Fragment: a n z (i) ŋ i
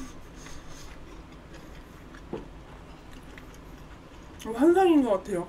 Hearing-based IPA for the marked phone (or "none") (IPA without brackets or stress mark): a